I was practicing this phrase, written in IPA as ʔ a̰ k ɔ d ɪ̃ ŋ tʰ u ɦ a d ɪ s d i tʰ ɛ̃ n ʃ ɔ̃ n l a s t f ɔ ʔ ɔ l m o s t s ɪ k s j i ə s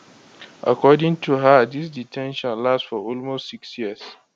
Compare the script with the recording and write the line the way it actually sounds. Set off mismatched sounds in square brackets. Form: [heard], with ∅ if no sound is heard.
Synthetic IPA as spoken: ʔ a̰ k ɔ d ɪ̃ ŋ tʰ u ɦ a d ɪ s d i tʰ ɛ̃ n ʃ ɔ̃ n l a s t f ɔ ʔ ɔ l m o s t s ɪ k s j i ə s